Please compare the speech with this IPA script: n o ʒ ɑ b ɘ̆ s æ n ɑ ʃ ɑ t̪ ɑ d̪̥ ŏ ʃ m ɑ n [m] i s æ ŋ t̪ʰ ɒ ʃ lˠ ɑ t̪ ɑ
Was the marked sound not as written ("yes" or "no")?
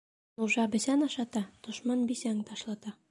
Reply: yes